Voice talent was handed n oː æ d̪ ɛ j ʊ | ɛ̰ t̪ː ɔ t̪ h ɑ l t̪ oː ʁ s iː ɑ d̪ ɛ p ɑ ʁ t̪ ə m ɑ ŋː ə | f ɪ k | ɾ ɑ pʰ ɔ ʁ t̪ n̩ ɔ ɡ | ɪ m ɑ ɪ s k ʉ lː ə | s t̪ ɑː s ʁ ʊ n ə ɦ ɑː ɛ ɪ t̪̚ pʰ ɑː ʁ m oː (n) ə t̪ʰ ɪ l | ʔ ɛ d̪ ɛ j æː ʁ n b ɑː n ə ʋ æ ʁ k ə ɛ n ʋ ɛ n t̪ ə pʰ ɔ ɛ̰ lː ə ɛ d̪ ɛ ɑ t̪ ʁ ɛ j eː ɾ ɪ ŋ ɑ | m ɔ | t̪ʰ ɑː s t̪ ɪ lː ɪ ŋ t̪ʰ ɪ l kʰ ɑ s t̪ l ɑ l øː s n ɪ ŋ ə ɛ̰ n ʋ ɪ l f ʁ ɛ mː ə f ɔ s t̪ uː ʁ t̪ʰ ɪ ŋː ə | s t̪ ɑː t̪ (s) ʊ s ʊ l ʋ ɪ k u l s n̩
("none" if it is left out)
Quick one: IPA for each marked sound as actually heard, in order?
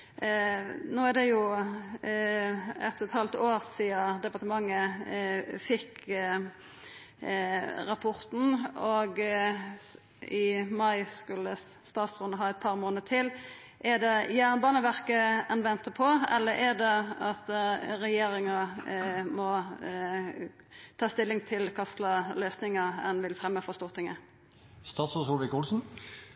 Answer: n, s

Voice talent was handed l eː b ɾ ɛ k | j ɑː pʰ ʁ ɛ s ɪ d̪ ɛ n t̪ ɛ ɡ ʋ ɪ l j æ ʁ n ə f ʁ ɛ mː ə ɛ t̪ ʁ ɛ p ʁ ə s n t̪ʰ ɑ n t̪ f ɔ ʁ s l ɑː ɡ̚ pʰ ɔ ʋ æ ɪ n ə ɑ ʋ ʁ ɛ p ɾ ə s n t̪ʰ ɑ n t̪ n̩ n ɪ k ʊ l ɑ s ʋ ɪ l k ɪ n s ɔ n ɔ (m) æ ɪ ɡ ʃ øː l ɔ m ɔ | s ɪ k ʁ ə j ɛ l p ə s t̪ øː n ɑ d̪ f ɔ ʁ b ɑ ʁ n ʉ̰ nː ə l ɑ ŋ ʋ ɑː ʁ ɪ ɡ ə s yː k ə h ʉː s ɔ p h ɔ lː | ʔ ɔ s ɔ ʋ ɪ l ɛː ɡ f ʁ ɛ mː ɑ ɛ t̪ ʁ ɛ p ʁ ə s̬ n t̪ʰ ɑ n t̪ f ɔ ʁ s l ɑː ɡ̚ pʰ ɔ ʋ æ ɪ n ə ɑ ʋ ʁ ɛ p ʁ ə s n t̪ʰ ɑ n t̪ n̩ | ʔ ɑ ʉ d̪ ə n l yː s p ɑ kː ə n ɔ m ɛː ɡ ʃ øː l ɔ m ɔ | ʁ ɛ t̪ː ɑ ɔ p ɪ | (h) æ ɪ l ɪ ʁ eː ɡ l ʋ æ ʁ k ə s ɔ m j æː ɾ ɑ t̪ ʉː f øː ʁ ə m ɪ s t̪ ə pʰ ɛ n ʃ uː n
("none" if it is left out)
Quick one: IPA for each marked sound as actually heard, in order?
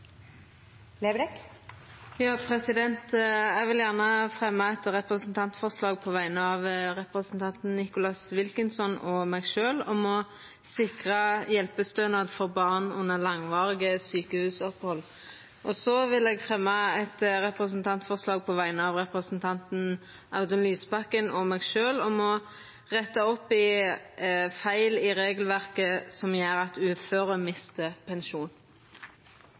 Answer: m, f

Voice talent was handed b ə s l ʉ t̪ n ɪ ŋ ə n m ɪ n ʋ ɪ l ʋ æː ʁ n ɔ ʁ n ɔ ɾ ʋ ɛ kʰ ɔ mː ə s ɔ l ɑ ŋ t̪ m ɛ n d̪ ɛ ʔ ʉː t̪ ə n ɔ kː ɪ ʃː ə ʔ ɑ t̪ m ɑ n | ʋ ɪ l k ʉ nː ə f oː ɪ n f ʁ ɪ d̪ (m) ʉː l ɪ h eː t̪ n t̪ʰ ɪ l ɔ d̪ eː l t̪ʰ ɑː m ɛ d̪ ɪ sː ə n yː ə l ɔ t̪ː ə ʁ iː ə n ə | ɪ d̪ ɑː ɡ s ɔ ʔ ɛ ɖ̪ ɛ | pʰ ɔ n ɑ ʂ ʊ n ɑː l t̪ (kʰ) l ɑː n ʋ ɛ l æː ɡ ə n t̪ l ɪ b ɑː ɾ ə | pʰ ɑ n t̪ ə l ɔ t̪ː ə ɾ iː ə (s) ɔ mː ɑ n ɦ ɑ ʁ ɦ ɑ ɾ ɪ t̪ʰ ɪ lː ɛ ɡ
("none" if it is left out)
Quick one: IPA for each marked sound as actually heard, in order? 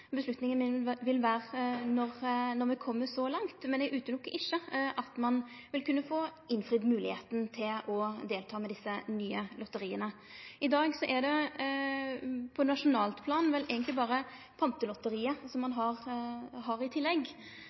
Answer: m, pʰ, s

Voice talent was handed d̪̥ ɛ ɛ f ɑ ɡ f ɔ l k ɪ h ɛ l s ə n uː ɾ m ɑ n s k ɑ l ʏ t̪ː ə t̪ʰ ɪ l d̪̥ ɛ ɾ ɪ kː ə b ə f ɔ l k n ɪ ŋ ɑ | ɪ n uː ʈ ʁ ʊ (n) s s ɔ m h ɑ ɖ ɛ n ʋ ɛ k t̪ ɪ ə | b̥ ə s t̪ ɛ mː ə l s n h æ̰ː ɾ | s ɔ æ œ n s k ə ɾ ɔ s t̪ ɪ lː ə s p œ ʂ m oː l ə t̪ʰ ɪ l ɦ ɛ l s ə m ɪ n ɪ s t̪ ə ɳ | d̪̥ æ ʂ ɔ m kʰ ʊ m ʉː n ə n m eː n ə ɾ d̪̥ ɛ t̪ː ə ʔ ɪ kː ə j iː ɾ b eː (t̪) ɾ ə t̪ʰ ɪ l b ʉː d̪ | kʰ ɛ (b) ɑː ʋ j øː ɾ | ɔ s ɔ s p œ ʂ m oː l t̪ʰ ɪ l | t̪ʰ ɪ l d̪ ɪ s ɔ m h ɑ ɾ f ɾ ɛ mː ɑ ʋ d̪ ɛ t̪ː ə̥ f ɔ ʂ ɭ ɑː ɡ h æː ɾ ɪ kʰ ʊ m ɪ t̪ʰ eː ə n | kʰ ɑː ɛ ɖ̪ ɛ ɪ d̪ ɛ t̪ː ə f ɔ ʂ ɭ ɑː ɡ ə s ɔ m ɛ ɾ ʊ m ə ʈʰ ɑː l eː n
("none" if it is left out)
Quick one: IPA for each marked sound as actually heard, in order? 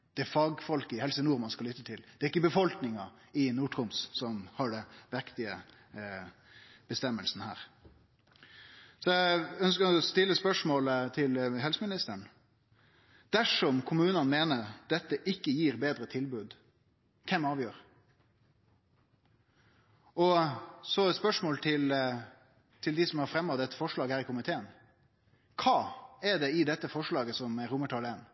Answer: m, d̪, m

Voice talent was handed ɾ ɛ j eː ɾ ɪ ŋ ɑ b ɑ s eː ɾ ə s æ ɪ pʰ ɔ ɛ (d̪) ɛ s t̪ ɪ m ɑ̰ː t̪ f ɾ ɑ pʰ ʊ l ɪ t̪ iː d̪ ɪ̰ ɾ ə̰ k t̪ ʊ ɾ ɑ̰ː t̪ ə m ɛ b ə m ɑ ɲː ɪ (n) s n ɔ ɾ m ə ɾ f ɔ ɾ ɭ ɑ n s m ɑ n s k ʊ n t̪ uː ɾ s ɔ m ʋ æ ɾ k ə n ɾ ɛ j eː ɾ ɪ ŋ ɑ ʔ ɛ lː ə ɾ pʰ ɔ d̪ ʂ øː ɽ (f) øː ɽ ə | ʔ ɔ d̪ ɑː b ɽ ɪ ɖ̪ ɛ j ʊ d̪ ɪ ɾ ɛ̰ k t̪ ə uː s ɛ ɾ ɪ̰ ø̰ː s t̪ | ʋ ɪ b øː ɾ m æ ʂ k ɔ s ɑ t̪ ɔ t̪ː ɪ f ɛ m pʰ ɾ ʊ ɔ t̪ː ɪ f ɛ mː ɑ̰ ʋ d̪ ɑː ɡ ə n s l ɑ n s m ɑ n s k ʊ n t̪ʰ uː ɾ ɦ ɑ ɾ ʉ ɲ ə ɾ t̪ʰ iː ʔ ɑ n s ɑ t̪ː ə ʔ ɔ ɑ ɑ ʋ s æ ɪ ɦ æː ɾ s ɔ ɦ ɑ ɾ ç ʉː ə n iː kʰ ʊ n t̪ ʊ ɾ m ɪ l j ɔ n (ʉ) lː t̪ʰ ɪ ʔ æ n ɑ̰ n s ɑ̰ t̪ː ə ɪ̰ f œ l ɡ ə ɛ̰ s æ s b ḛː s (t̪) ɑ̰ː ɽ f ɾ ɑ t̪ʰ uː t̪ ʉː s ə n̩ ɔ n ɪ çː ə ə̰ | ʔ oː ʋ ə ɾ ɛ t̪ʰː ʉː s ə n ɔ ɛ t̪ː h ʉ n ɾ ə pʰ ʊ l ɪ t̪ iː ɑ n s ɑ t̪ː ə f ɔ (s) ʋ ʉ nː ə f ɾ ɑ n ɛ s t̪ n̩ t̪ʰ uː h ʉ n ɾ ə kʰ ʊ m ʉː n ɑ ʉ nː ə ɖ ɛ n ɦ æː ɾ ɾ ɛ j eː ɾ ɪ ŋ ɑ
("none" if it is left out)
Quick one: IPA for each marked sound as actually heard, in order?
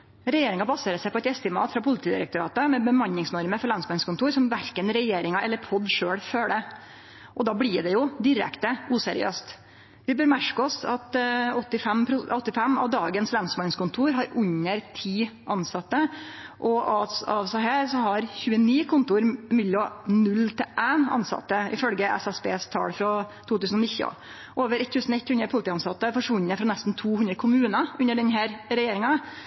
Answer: t̪, ŋ, f, ʉ, t̪ʰ, ʂ

